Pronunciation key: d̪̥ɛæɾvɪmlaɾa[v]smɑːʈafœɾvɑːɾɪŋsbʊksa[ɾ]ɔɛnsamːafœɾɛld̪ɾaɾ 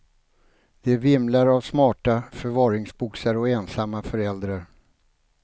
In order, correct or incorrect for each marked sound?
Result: correct, correct

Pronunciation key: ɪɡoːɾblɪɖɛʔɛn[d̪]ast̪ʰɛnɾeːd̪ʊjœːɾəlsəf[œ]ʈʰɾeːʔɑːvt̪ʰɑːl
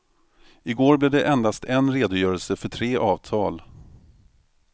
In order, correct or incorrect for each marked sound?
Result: correct, correct

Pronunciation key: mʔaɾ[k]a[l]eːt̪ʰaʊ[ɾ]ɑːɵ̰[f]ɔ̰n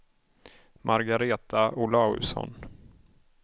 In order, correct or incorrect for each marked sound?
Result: incorrect: ɡ, incorrect: ɾ, incorrect: l, incorrect: s

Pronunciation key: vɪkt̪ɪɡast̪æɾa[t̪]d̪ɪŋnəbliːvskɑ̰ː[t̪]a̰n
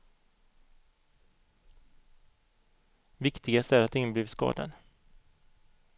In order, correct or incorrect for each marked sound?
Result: correct, incorrect: d̪

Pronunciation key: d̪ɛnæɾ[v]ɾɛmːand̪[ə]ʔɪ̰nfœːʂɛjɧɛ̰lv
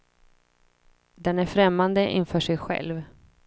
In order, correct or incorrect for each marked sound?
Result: incorrect: f, correct

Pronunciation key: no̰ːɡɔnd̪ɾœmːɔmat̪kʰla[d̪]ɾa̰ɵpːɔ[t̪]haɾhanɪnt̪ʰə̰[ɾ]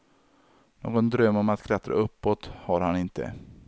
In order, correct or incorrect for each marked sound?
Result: incorrect: t̪, correct, incorrect: none

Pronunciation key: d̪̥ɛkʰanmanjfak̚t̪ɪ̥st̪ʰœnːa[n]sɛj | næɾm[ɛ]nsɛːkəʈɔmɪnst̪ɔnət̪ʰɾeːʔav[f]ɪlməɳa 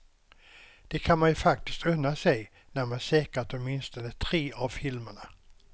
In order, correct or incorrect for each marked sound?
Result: incorrect: none, incorrect: a, correct

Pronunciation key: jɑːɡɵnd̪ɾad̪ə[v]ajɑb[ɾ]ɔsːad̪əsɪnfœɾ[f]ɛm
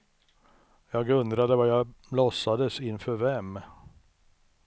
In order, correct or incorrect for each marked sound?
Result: correct, incorrect: l, incorrect: v

